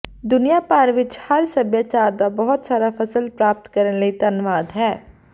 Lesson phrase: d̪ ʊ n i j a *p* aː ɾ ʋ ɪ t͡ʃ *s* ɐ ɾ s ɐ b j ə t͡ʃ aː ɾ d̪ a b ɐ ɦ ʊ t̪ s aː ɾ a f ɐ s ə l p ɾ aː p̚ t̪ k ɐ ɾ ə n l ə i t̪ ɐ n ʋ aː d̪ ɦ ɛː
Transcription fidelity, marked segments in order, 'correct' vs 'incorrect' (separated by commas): correct, incorrect